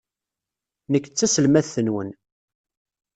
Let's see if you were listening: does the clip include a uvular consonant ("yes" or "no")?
no